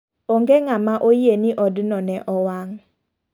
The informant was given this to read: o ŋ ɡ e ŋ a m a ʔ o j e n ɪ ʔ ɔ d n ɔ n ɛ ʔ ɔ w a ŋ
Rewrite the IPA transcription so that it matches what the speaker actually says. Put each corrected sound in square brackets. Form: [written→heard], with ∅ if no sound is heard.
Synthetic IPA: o ŋ ɡ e ŋ a m a ʔ o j e n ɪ ʔ ɔ d n ɔ n ɛ ʔ ɔ w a ŋ